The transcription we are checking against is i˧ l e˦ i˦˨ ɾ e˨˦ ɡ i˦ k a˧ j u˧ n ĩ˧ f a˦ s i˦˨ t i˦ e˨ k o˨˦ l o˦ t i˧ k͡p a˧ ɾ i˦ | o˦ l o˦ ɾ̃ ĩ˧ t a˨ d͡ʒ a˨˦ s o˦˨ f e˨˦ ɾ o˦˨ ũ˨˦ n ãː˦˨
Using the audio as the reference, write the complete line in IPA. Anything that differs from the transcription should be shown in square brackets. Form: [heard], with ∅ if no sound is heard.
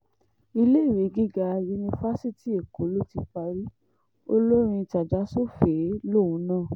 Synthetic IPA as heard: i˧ l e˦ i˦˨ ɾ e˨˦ ɡ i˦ [ɡ] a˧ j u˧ n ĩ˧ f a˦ s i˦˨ t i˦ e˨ k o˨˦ l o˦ t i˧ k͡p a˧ ɾ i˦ | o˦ l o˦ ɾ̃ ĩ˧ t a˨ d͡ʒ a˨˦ s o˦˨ f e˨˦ [l] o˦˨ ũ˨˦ n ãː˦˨